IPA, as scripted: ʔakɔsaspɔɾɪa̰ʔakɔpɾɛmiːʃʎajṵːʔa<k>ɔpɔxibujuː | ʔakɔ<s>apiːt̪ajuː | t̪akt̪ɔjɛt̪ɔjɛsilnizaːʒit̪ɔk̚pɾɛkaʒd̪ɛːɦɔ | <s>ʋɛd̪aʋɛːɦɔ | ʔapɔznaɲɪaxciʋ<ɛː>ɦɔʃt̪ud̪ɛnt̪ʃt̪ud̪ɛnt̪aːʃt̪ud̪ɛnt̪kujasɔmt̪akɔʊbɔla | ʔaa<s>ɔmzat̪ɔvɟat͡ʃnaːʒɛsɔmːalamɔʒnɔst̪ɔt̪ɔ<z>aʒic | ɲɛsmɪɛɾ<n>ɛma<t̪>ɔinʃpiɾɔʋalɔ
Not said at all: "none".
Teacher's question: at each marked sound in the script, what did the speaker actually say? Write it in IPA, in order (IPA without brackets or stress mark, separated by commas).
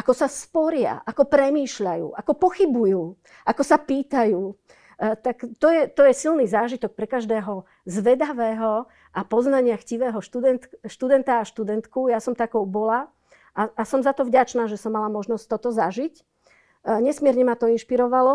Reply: k, s, z, ɛː, s, z, ɲ, t̪